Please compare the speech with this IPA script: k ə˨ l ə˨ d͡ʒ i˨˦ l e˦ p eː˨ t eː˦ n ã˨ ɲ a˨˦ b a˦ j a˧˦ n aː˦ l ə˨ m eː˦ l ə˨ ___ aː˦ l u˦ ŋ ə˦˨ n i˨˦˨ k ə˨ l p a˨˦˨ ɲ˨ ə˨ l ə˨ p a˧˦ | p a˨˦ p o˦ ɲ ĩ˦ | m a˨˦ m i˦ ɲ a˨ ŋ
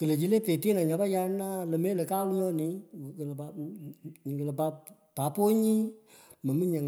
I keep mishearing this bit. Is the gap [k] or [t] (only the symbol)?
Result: k